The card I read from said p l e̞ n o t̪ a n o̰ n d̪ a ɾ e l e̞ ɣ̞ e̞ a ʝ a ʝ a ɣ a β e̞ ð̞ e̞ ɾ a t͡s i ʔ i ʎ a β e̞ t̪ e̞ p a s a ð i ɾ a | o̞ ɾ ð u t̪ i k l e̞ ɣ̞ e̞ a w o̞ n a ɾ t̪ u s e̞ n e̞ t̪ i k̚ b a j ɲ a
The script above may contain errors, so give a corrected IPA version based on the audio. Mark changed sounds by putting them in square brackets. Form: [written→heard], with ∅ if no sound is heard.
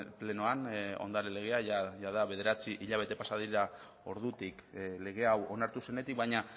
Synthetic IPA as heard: p l e̞ n o [t̪→∅] a n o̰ n d̪ a ɾ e l e̞ ɣ̞ e̞ a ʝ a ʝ a [ɣ→ð] a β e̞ ð̞ e̞ ɾ a t͡s i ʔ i ʎ a β e̞ t̪ e̞ p a s a ð i ɾ a | o̞ ɾ ð u t̪ i k l e̞ ɣ̞ e̞ a w o̞ n a ɾ t̪ u s e̞ n e̞ t̪ i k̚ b a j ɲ a

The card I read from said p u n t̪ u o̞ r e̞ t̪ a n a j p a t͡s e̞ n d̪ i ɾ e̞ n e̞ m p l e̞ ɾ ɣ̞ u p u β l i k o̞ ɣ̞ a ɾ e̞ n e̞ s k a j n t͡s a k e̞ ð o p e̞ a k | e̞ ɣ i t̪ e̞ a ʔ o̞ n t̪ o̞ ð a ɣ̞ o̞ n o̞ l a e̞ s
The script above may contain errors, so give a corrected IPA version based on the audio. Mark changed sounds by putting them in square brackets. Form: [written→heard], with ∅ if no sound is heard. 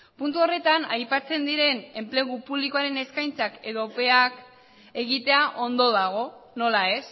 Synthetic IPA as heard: p u n t̪ u o̞ r e̞ t̪ a n a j p a t͡s e̞ n d̪ i ɾ e̞ n e̞ m p l e̞ [ɾ→∅] ɣ̞ u p u β l i k o̞ [ɣ̞→∅] a ɾ e̞ n e̞ s k a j n t͡s a k e̞ ð o p e̞ a k | e̞ ɣ i t̪ e̞ a ʔ o̞ n [t̪→d̪] o̞ ð a ɣ̞ o̞ n o̞ l a e̞ s

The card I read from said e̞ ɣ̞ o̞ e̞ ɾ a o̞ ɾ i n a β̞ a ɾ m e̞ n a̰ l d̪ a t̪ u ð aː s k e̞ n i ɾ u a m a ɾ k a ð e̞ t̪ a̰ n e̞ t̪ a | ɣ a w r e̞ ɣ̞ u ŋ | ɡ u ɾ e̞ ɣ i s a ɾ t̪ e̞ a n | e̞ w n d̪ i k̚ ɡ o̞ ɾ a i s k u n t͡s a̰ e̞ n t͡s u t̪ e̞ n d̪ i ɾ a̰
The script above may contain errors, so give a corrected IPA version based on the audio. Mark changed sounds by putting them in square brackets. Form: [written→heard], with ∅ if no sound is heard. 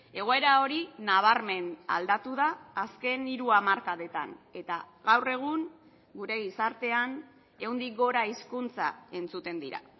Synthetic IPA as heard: e̞ ɣ̞ o̞ e̞ ɾ a o̞ ɾ i n a β̞ a ɾ m e̞ n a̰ l d̪ a t̪ u ð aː s k e̞ n i ɾ u a m a ɾ k a ð e̞ t̪ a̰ n e̞ t̪ a | ɣ a w r e̞ ɣ̞ u ŋ | ɡ u ɾ e̞ ɣ i s a ɾ t̪ e̞ a n | e̞ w n d̪ i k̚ ɡ o̞ ɾ a i s k u n t͡s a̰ e̞ n t͡s u t̪ e̞ n d̪ i ɾ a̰

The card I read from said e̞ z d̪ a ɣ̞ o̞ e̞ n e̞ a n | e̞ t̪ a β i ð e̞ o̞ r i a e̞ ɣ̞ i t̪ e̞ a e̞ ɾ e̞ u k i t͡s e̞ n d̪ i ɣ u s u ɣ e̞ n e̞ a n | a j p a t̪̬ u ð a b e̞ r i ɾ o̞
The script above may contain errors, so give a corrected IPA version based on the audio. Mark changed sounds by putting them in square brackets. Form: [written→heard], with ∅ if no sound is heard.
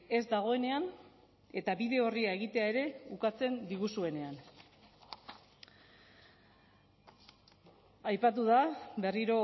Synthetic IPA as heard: e̞ z d̪ a ɣ̞ o̞ e̞ n e̞ a n | e̞ t̪ a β i ð e̞ o̞ r i a e̞ ɣ̞ i t̪ e̞ a e̞ ɾ e̞ u k [i→a] t͡s e̞ n d̪ i ɣ u s u [ɣ→∅] e̞ n e̞ a n | a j p a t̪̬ u ð a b e̞ r i ɾ o̞

